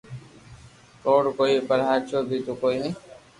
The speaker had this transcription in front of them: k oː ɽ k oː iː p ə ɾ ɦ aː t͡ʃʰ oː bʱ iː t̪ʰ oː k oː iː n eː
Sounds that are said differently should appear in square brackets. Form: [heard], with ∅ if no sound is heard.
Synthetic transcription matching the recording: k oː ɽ k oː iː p ə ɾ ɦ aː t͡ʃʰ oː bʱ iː [t̪] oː k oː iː n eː